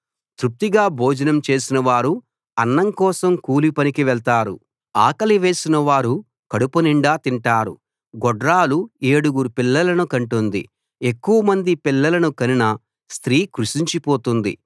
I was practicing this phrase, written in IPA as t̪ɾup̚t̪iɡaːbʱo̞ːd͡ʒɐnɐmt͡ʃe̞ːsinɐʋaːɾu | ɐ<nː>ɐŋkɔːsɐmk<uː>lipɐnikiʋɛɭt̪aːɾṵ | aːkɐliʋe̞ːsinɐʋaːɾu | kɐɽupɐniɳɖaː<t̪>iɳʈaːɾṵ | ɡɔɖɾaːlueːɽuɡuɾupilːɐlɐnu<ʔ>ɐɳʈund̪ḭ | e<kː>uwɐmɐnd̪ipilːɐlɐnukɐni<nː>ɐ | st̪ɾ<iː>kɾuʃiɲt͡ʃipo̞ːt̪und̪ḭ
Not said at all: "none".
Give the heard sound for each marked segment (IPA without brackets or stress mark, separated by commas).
nː, uː, t̪, k, kː, n, iː